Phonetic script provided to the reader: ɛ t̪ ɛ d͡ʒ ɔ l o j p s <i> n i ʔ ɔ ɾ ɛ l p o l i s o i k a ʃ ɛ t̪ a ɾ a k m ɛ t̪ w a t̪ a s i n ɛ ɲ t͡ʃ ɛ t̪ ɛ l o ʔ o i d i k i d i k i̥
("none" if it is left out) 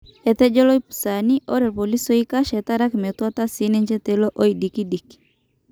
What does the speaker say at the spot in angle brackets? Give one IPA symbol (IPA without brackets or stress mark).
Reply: a